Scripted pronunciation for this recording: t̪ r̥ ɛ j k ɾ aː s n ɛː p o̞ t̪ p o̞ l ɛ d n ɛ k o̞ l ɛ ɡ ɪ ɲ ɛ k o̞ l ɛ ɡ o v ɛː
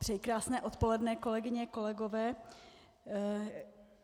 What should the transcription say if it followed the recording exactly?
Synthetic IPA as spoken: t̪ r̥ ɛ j k ɾ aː s n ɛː ʔ o̞ t̪ p o̞ l ɛ d n ɛ k o̞ l ɛ ɡ ɪ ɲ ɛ k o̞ l ɛ ɡ o v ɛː